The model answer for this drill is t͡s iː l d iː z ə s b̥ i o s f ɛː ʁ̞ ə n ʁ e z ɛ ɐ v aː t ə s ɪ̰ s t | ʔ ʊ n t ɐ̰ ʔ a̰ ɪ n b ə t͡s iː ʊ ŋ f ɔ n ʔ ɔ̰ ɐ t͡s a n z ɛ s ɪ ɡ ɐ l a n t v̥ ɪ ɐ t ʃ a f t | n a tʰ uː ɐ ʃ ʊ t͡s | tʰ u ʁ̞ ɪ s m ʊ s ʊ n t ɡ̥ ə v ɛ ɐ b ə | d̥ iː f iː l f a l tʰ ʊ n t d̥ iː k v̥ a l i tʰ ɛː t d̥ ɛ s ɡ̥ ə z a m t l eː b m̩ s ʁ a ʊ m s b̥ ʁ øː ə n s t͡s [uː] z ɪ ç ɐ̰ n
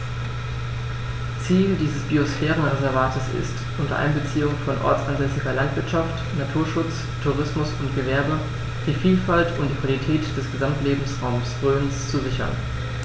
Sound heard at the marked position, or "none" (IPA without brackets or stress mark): u